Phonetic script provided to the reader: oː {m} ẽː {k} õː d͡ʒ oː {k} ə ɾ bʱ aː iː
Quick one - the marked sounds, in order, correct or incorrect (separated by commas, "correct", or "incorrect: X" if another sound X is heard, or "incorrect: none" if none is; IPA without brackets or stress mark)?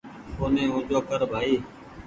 incorrect: n, incorrect: none, correct